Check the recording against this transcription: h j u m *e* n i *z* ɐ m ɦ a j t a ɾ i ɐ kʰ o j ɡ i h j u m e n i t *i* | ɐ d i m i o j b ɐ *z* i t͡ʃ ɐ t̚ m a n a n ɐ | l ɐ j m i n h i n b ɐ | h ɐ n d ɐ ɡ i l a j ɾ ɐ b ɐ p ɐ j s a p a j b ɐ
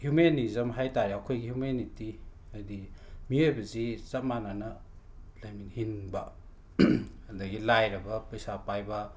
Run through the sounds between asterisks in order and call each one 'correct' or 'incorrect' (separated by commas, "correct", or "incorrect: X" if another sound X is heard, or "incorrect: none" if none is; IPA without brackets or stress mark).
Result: correct, correct, correct, correct